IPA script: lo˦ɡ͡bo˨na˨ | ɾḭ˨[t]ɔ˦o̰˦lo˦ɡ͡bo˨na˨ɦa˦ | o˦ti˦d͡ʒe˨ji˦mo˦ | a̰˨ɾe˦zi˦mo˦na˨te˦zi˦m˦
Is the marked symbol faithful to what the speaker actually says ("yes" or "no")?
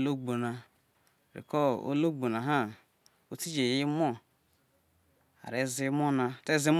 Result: no